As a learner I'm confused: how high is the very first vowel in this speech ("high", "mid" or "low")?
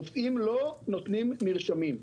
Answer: high